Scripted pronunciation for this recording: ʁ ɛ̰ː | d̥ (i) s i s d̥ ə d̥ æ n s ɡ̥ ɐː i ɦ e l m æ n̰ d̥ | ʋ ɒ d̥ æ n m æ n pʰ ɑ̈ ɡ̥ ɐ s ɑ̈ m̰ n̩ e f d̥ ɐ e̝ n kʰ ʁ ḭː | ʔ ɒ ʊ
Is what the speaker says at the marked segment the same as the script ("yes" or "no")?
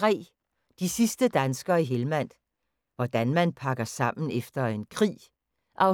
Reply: yes